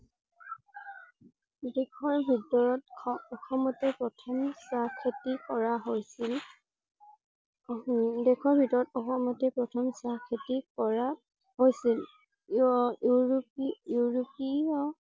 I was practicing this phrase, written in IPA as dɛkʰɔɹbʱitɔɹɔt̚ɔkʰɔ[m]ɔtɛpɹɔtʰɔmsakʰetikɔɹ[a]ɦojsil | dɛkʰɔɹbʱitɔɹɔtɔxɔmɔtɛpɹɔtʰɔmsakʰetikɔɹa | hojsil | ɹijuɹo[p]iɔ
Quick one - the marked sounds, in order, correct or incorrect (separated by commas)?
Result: correct, correct, correct